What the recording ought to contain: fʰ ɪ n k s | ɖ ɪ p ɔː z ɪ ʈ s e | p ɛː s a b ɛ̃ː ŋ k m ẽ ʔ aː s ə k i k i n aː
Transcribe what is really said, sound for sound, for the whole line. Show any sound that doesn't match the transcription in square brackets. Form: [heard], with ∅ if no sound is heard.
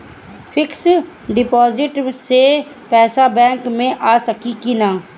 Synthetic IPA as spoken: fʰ ɪ [∅] k s | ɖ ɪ p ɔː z ɪ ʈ s e | p ɛː s a b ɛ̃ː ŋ k m ẽ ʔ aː s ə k i k i n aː